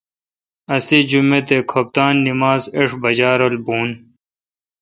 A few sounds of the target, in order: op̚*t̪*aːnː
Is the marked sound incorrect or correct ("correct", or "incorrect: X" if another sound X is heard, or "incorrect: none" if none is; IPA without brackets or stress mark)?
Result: correct